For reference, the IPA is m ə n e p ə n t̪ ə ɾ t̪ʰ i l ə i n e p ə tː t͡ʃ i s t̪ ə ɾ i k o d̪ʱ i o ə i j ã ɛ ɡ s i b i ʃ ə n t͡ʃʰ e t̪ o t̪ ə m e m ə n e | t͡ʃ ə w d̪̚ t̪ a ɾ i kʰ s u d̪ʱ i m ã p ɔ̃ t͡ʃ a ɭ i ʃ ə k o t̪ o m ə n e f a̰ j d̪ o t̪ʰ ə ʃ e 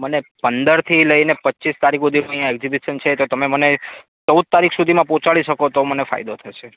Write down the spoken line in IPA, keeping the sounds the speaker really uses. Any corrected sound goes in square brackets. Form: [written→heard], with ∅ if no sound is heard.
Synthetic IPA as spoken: m ə n e p ə n [t̪→d̪] ə ɾ t̪ʰ i l ə i n e p ə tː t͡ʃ i s t̪ [ə→a] ɾ i k o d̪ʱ i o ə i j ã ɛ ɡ [s→z] i b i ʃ ə n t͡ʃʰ e t̪ o t̪ ə m e m ə n e | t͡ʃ ə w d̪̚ t̪ a ɾ i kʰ s u d̪ʱ i m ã p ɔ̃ t͡ʃ a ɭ i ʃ ə k o t̪ o m ə n e f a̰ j d̪ o t̪ʰ ə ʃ e